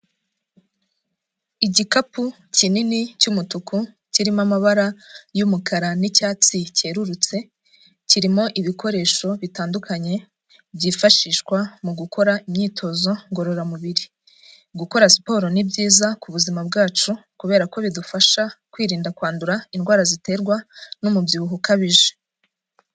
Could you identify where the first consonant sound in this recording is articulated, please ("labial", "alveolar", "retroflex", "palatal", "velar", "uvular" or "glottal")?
palatal